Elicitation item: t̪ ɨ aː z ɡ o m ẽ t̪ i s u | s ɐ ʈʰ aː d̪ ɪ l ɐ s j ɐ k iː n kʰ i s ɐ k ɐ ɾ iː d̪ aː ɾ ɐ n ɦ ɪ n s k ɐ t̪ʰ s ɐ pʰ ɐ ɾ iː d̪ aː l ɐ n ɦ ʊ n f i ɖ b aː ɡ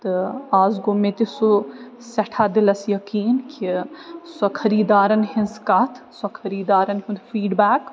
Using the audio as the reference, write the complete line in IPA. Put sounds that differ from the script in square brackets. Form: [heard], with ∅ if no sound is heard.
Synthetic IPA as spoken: t̪ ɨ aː z ɡ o m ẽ t̪ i s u | s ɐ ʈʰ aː d̪ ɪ l ɐ s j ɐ k iː n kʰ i s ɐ [kʰ] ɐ ɾ iː d̪ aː ɾ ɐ n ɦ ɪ n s k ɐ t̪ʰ s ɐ [kʰ] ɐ ɾ iː d̪ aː [ɾ] ɐ n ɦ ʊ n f [iː] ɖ b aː [k]